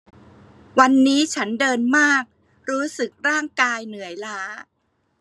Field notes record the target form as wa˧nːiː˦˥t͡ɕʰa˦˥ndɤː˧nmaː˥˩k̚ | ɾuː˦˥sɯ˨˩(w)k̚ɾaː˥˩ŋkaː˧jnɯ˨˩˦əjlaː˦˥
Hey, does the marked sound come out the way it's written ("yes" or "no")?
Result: no